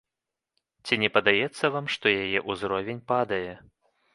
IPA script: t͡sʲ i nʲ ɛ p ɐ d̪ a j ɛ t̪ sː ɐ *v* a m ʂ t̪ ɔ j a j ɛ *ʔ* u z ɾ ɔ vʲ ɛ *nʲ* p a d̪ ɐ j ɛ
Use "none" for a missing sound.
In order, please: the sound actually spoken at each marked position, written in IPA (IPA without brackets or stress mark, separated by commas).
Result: v, ʔ, nʲ